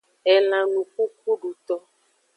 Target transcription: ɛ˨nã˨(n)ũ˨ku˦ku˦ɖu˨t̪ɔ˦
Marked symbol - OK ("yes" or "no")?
yes